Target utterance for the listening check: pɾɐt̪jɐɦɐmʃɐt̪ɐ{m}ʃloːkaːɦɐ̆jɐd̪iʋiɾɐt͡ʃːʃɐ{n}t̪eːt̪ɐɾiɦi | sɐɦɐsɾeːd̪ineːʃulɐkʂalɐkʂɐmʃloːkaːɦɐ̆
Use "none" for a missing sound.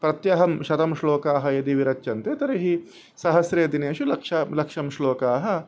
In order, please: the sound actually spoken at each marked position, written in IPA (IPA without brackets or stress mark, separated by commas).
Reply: m, n